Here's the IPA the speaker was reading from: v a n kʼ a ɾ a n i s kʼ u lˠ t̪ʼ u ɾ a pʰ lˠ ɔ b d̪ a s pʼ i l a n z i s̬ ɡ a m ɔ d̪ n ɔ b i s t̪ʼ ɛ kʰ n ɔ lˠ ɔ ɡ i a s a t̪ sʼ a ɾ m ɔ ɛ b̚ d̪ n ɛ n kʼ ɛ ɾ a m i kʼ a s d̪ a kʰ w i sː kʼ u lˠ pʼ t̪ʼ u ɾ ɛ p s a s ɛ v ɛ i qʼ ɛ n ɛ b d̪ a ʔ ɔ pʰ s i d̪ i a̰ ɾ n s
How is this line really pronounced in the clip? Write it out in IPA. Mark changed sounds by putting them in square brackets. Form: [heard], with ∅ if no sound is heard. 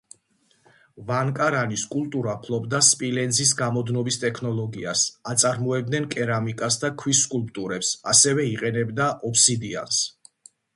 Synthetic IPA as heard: v a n kʼ a ɾ a n i s kʼ u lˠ t̪ʼ u ɾ a pʰ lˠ ɔ b d̪ a s pʼ i l [ɛ] n z i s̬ ɡ a m ɔ d̪ n ɔ b i s t̪ʼ ɛ kʰ n ɔ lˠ ɔ ɡ i a s a t̪ sʼ a ɾ m ɔ ɛ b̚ d̪ n ɛ n kʼ ɛ ɾ a m i kʼ a s d̪ a kʰ w i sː kʼ u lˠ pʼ t̪ʼ u ɾ ɛ p s a s ɛ v ɛ i qʼ ɛ n ɛ b d̪ a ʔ ɔ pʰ s i d̪ i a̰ [∅] n s